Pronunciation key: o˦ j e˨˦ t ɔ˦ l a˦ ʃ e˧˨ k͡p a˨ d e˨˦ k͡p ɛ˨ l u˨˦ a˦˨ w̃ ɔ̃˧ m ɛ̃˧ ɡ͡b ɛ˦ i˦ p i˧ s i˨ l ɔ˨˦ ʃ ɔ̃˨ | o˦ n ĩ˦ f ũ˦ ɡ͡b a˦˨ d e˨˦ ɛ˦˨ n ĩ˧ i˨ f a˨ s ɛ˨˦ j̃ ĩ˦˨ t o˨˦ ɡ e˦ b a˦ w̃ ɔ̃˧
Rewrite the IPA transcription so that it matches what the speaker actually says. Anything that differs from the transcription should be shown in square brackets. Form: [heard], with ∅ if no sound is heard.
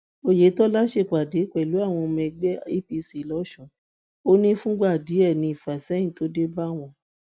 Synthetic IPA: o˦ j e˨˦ t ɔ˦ l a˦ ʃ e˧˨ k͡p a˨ d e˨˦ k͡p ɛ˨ l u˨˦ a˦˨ w̃ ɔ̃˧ m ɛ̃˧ ɡ͡b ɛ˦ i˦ p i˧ s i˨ l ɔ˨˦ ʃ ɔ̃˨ | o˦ n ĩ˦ f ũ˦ ɡ͡b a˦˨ d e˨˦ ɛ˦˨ n ĩ˧ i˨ f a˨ s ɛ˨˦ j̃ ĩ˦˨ t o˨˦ [d] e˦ b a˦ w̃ ɔ̃˧